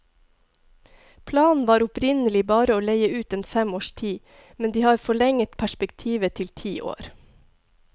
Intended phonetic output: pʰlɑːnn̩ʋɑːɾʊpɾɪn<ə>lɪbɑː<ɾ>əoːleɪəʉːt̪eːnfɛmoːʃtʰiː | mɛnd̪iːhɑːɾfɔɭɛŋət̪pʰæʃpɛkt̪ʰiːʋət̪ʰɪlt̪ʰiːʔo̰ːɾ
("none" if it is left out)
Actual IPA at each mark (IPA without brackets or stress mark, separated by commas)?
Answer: ə, ɾ